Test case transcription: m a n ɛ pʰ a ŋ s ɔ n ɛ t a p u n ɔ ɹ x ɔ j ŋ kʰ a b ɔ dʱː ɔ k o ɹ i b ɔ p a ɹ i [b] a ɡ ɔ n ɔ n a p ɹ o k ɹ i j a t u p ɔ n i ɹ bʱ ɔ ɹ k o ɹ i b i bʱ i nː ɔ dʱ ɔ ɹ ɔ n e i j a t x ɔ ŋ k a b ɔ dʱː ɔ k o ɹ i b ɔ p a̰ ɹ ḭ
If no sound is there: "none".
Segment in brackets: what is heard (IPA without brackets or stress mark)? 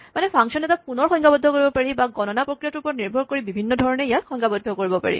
b